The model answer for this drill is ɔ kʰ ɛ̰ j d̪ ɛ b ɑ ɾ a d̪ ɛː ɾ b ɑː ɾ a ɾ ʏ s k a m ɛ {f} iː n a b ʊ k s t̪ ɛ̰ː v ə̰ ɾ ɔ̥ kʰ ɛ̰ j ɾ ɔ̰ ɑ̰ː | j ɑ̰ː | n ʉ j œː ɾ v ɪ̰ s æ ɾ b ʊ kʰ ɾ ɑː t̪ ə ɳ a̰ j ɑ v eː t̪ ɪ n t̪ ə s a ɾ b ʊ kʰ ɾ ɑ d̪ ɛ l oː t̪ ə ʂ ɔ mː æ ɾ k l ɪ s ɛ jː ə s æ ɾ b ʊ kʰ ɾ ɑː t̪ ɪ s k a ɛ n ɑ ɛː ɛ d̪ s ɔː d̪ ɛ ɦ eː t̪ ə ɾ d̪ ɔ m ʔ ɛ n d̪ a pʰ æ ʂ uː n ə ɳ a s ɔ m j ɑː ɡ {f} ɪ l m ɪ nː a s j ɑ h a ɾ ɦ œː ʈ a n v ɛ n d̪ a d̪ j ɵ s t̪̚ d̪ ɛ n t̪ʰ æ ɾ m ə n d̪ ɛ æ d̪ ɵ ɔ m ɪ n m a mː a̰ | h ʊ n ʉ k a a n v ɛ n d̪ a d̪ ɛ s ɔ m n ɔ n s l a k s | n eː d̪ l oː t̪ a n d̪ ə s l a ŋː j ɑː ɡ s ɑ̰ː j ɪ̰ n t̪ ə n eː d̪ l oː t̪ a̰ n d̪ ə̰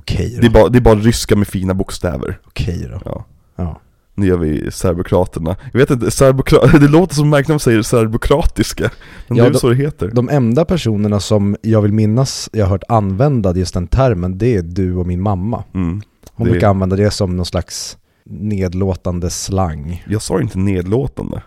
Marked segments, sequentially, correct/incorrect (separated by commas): correct, incorrect